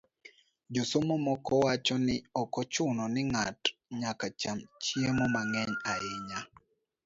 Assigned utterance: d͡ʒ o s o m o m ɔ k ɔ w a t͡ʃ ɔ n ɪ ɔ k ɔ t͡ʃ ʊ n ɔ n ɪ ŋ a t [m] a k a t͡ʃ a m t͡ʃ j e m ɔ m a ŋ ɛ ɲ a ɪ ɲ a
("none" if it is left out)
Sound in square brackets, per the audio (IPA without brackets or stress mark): ɲ